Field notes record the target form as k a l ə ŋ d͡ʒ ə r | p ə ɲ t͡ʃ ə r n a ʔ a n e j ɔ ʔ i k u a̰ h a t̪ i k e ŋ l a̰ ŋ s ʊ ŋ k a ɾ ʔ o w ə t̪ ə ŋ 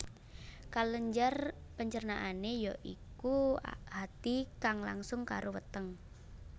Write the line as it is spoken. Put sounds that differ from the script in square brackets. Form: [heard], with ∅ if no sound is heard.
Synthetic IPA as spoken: k a l ə [ɲ] d͡ʒ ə r | p ə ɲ t͡ʃ ə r n a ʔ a n e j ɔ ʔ i k u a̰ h a t̪ i k [a] ŋ l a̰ ŋ s ʊ ŋ k a ɾ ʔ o w ə t̪ ə ŋ